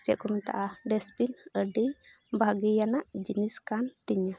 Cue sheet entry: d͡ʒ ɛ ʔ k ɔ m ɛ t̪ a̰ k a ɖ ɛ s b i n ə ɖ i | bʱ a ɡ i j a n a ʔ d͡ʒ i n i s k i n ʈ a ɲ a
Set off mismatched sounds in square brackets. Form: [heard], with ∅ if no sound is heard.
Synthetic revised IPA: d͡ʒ ɛ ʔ k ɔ m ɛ t̪ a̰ [ʔ] a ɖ ɛ s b i n ə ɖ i | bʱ a ɡ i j a n a ʔ d͡ʒ i n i s k [a] n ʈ [i] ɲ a

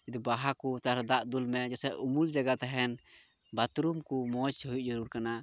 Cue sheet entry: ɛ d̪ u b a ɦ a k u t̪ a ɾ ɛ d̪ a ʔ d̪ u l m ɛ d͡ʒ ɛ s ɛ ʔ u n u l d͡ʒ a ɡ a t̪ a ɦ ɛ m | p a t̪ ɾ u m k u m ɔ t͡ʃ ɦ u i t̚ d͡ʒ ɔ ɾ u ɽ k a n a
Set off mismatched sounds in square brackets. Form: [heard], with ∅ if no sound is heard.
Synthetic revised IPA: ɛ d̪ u b a ɦ a k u t̪ a ɾ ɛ d̪ a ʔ d̪ u l m ɛ d͡ʒ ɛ s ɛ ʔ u [m] u l d͡ʒ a ɡ a t̪ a ɦ ɛ [n] | [b] a t̪ ɾ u m k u m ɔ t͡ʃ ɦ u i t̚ d͡ʒ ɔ ɾ u [ɾ] k a n a

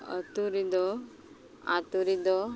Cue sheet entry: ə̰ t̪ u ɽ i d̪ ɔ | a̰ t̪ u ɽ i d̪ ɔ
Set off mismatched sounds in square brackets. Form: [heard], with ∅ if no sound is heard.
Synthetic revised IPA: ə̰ t̪ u [ɾ] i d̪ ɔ | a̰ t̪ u [ɾ] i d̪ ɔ

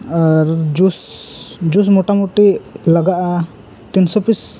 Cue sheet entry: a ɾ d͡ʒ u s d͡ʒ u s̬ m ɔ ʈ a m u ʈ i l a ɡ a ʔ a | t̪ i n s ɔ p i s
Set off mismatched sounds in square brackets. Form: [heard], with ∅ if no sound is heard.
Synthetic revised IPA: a ɾ d͡ʒ u s d͡ʒ u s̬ m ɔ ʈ a m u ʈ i l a ɡ a ʔ a | t̪ i n s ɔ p i s

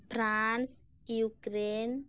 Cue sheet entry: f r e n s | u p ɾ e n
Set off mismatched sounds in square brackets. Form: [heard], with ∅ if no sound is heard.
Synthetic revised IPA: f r [a] n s | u [k] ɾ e n

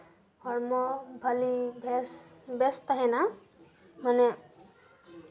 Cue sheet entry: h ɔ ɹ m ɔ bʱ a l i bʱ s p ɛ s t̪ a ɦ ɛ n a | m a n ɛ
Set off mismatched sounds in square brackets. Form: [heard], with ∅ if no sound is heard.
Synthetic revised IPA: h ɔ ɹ m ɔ bʱ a l i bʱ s [b] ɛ s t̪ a ɦ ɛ n a | m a n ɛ

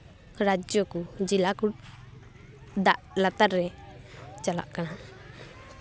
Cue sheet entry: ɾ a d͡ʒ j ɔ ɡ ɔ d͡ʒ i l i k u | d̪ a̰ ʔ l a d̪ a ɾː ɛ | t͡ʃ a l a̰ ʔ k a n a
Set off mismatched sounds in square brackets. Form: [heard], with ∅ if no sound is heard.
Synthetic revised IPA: ɾ a d͡ʒ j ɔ [k] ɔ d͡ʒ i l [a] k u | d̪ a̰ ʔ l a [t̪] a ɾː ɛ | t͡ʃ a l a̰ ʔ k a n a

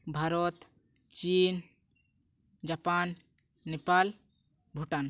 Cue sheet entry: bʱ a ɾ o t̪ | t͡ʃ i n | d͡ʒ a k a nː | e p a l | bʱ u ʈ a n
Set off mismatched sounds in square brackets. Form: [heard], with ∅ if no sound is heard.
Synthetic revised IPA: bʱ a ɾ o t̪ | t͡ʃ i n | d͡ʒ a [p] a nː | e p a l | bʱ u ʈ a n

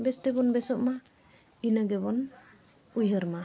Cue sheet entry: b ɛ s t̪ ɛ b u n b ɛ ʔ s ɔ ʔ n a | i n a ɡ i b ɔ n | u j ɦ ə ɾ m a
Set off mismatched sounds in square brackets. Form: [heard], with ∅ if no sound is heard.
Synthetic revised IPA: b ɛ s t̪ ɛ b [ɔ] n b ɛ [∅] s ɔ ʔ [m] a | i n a ɡ [ɛ] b ɔ n | u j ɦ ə ɾ m a

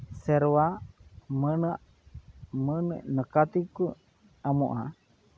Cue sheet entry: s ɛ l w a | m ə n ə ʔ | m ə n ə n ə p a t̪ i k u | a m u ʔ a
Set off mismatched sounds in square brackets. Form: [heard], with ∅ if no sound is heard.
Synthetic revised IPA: s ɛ [ɾ] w a | m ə n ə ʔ | m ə n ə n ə [k] a t̪ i k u | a m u ʔ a

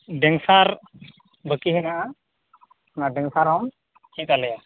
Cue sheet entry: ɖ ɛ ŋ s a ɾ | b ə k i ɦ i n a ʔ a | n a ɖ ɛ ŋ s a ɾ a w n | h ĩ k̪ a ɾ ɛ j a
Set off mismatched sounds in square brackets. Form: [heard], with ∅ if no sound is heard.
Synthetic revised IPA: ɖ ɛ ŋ s a ɾ | b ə k i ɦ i n a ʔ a | n a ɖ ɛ ŋ s a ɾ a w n | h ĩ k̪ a [l] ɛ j a

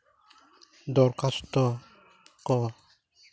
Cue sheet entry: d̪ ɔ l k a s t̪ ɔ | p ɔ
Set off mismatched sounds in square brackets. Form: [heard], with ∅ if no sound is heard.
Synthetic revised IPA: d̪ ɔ [ɾ] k a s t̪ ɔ | [k] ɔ

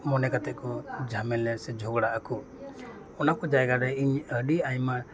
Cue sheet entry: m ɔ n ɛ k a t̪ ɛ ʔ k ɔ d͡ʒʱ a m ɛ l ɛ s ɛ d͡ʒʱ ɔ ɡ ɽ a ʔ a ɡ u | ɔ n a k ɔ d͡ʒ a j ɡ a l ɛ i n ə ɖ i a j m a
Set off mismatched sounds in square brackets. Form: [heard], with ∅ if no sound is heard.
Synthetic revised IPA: m ɔ n ɛ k a t̪ ɛ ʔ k ɔ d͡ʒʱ a m ɛ l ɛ s ɛ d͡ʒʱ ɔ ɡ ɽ a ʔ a [k] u | ɔ n a k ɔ d͡ʒ a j ɡ a [ɾ] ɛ i [ɲ] ə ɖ i a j m a

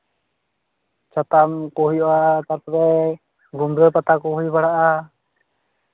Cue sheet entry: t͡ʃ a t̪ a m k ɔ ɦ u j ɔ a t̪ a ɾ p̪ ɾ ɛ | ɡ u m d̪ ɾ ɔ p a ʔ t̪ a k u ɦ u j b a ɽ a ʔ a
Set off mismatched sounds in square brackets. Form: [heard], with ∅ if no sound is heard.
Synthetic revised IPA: t͡ʃ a t̪ a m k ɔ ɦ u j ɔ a t̪ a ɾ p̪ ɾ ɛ | ɡ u m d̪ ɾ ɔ p a [∅] t̪ a k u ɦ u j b a ɽ a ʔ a

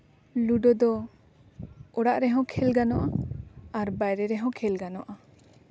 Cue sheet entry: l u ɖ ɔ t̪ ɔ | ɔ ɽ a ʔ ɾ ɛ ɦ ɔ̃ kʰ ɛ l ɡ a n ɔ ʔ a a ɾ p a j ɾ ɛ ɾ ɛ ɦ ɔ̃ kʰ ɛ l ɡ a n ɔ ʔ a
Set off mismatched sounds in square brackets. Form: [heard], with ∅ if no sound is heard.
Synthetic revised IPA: l u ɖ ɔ [d̪] ɔ | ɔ ɽ a ʔ ɾ ɛ ɦ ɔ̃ kʰ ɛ l ɡ a n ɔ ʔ a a ɾ [b] a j ɾ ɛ ɾ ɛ ɦ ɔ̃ kʰ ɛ l ɡ a n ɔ ʔ a

